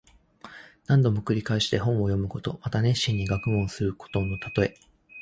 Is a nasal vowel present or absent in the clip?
present